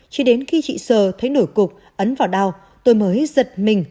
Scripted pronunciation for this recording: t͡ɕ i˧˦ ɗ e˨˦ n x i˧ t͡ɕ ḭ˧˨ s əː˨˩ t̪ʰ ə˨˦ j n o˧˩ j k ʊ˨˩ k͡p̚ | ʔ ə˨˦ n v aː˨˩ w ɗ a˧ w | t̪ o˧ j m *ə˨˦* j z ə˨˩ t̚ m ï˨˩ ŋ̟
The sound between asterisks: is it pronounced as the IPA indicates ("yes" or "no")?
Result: no